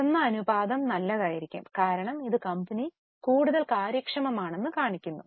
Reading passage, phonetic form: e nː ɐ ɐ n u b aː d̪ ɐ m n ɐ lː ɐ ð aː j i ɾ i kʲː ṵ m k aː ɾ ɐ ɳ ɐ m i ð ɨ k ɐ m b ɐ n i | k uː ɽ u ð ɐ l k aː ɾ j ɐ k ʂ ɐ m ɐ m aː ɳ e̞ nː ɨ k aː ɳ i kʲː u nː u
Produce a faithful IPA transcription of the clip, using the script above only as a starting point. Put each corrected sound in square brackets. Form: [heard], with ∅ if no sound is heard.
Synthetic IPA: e nː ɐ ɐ n u b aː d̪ ɐ m n ɐ lː ɐ ð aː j i ɾ i kʲː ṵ m k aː ɾ ɐ ɳ ɐ m i ð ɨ k ɐ m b ɐ n i | k uː ɽ u ð ɐ l k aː ɾ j ɐ k ʂ ɐ m ɐ m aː ɳ e̞ nː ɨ k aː ɳ i kʲː u nː u